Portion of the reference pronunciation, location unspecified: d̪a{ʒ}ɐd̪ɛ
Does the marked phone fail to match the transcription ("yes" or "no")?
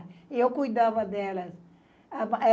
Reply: yes